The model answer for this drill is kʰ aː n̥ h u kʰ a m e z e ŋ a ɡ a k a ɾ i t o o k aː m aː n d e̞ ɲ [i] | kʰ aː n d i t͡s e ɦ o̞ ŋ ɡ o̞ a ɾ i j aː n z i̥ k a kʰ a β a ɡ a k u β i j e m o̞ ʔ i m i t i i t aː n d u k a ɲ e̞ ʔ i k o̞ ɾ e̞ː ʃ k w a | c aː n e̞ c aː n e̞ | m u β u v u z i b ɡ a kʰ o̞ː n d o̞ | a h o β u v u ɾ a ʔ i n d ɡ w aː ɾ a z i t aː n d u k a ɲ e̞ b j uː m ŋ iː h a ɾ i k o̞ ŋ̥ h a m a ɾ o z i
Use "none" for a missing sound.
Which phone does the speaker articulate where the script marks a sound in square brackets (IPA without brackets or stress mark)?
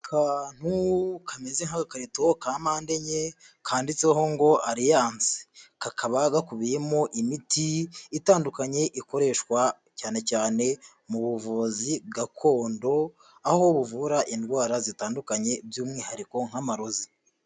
e